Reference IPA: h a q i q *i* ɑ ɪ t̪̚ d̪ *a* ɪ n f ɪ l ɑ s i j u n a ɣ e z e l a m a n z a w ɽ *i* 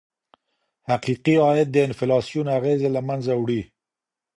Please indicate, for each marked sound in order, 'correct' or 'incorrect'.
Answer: correct, incorrect: ə, correct

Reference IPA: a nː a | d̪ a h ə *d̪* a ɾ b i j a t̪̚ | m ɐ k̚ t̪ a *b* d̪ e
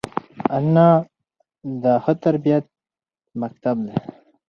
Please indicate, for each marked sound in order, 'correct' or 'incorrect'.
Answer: incorrect: t̪, correct

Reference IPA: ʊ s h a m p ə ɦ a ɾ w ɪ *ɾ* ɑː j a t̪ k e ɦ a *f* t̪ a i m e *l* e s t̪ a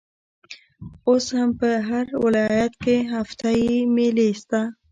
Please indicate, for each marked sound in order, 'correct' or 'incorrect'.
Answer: incorrect: l, correct, correct

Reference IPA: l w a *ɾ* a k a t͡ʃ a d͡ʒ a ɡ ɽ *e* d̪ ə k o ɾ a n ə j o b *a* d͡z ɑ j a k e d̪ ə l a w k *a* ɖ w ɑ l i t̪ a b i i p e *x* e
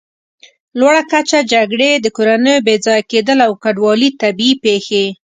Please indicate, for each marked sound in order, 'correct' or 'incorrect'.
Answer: incorrect: ɽ, correct, incorrect: e, correct, correct

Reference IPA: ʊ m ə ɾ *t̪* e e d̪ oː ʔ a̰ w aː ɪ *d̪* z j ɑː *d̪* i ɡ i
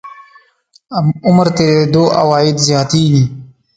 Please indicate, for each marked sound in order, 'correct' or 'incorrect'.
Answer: correct, correct, incorrect: t̪

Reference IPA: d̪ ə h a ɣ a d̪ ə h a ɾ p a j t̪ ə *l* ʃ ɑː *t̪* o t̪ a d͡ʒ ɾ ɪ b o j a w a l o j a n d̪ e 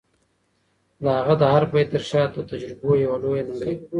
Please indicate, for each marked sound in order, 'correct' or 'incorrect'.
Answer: incorrect: ɾ, correct

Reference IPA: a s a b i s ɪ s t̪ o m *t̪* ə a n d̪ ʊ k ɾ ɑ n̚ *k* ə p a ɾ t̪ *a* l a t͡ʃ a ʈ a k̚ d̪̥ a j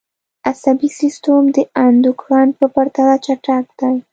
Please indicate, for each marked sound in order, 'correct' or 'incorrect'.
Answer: incorrect: d̪, incorrect: p, correct

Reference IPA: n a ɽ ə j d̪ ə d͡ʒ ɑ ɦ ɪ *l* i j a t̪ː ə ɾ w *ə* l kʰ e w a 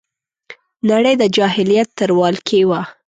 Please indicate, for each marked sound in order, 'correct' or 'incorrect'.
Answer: correct, incorrect: ɑ

